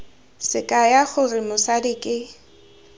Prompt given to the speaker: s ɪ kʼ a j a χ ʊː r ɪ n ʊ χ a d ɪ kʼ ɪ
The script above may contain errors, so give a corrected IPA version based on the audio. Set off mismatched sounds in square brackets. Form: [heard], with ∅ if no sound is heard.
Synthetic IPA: s ɪ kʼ a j a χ [ʊ] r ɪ [m] ʊ [s] a d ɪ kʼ ɪ

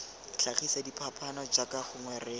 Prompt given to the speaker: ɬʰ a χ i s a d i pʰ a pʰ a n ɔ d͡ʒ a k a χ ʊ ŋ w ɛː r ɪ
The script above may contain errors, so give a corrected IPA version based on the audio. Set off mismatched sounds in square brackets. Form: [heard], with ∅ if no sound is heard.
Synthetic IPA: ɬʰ a χ i s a d i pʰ a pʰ a n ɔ d͡ʒ a k a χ ʊ ŋ w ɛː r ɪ

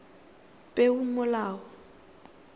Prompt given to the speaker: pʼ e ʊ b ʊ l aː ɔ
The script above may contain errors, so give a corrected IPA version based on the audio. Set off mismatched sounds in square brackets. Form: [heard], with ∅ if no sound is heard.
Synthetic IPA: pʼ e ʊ [m] ʊ l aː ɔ

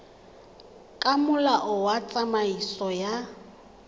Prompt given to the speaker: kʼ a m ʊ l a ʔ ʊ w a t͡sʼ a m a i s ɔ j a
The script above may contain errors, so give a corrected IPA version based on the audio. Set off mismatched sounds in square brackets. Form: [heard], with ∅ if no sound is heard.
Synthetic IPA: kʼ a m ʊ l a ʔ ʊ w a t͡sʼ a m a i s ɔ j a

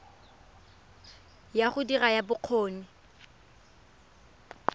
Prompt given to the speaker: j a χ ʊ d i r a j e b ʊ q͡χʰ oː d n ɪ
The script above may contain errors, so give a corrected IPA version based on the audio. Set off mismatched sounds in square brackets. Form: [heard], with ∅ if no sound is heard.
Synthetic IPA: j a χ ʊ d i r a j [a] b ʊ q͡χʰ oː [∅] n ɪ

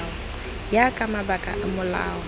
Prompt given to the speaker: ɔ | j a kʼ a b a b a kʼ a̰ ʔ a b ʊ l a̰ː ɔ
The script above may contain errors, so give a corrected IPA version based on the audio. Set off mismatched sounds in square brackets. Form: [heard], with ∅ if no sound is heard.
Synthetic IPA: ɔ | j a kʼ a [m] a b a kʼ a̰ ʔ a [m] ʊ l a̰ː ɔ

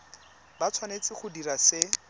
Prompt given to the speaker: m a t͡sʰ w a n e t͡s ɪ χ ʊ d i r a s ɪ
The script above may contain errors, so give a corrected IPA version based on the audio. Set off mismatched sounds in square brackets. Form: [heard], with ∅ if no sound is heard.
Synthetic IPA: [b] a t͡sʰ w a n e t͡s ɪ χ ʊ d i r a s ɪ

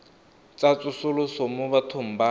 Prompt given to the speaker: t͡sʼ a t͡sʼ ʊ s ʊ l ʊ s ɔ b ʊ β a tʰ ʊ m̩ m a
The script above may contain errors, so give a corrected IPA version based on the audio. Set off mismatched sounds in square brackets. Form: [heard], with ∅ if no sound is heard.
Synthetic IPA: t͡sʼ a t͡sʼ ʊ s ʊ l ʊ s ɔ [m] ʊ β a tʰ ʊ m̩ [b] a

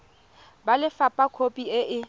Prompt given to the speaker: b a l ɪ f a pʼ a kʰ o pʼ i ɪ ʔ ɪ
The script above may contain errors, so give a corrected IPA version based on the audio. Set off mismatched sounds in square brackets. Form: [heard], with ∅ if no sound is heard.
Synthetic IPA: b a l ɪ f a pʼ a kʰ o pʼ i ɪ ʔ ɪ

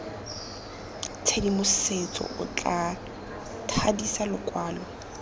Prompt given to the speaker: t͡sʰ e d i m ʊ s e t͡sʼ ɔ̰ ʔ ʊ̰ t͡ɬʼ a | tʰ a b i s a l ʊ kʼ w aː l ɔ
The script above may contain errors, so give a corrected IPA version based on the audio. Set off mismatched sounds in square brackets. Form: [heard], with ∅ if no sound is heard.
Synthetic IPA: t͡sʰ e d i m ʊ s e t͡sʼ ɔ̰ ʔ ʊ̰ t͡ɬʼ a | tʰ a [d] i s a l ʊ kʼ w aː l ɔ

